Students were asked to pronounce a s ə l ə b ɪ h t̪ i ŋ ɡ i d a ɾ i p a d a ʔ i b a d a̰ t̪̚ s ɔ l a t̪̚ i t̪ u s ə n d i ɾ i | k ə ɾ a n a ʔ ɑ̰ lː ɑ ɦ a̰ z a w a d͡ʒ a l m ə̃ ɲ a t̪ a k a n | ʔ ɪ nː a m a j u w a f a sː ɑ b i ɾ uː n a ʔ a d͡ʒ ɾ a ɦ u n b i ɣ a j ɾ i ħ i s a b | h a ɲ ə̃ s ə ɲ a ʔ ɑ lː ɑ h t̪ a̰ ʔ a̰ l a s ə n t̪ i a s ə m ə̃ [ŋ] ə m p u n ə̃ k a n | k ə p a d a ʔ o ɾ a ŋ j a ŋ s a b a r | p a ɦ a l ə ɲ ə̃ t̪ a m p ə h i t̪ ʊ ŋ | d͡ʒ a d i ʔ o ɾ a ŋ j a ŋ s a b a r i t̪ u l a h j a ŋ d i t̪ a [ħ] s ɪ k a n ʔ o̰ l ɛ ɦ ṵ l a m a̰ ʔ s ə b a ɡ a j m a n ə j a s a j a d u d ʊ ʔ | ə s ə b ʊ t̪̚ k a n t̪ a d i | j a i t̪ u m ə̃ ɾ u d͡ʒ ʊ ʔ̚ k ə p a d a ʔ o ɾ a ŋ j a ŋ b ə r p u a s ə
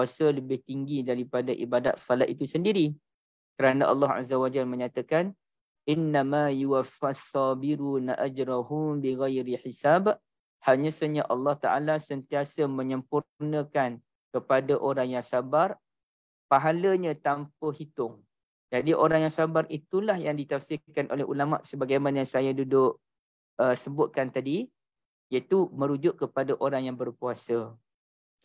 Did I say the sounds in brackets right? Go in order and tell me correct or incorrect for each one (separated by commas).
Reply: incorrect, incorrect